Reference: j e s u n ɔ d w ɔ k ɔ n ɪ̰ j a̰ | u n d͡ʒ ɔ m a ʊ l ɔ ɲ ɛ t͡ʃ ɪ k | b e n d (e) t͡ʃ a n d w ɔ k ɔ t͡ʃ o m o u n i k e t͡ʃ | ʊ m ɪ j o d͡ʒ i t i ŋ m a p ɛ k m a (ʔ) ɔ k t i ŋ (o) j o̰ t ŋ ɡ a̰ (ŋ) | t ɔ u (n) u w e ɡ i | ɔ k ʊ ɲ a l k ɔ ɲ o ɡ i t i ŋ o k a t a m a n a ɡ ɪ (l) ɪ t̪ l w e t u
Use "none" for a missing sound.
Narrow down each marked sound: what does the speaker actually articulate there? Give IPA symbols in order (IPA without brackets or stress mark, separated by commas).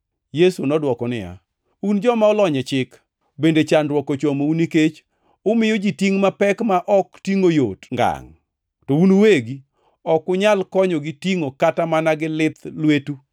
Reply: e, ʔ, o, ŋ, n, l